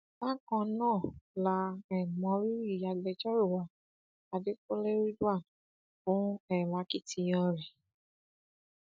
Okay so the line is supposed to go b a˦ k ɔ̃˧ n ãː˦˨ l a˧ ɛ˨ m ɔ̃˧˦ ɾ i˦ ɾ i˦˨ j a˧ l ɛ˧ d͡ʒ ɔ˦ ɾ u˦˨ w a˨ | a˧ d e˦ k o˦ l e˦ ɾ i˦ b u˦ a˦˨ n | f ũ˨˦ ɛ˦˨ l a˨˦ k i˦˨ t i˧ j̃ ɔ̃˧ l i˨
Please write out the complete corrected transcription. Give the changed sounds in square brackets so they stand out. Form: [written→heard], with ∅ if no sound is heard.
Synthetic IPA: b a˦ k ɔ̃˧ n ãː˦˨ l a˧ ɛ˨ m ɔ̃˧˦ ɾ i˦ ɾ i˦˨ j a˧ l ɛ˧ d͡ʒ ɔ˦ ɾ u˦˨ w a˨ | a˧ d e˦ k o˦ l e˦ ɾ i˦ [b→d] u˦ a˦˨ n | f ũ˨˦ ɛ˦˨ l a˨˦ k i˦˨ t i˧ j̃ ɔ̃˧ [l→ɾ] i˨